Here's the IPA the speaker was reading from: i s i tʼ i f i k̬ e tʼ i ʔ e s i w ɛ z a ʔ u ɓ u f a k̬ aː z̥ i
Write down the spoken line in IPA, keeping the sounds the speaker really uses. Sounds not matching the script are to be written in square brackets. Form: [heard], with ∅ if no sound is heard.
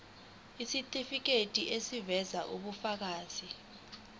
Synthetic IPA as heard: i s i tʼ i f i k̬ e tʼ i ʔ e s i [v] ɛ z a ʔ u ɓ u f a k̬ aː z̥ i